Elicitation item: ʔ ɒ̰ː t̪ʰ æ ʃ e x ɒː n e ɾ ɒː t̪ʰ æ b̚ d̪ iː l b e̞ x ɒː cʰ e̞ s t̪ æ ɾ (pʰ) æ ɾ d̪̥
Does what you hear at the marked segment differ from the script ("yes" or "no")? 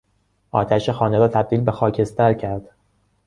yes